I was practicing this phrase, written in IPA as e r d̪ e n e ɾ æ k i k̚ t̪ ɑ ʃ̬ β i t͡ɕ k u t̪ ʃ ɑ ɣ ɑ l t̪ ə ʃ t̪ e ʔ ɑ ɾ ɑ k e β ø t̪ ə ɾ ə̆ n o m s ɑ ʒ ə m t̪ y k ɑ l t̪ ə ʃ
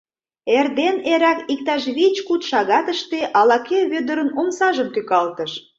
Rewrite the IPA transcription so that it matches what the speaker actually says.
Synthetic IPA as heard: e r d̪ e n e ɾ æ k i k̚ t̪ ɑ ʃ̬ β i t͡ɕ k u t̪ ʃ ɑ ɣ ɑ t̪ ə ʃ t̪ e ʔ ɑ l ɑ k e β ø d̪ ə ɾ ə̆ n o m s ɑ ʒ ə m t̪ y k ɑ l t̪ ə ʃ